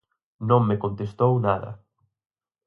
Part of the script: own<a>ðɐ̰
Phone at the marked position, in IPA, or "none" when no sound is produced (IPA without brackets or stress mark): a